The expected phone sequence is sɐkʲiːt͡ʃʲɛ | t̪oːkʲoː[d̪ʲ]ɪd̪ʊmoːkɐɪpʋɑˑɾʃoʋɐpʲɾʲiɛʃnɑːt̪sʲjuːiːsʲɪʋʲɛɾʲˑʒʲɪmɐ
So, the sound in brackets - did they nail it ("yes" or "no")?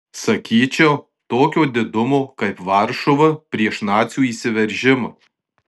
yes